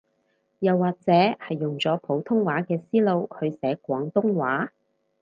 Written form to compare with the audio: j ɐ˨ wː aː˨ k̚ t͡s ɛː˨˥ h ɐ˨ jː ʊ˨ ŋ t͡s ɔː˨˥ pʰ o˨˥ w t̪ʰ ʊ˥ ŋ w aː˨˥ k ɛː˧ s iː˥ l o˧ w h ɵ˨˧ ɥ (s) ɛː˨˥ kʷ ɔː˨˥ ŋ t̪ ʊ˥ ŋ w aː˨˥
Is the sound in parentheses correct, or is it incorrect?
correct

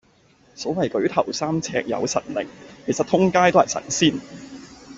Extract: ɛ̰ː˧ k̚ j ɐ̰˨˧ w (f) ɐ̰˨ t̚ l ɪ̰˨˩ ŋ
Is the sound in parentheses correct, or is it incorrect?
incorrect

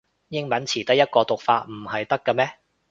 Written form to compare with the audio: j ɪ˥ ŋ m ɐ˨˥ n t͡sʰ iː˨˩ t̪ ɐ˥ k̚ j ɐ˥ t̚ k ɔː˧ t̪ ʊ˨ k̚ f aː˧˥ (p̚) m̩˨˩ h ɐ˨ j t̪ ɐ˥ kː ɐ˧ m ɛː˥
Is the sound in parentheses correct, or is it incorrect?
incorrect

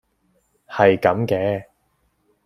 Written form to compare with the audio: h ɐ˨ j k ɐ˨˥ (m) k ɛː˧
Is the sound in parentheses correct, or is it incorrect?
correct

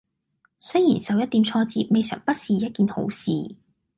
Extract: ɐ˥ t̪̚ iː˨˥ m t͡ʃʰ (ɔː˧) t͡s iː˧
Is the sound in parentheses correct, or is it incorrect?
correct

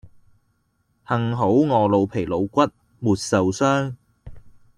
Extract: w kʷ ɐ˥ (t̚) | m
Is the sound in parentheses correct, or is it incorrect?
correct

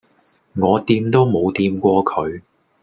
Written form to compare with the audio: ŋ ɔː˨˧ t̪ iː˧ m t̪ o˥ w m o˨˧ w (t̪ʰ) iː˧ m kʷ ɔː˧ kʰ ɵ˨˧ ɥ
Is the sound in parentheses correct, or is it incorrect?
incorrect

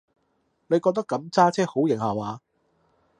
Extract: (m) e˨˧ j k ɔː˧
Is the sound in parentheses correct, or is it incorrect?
incorrect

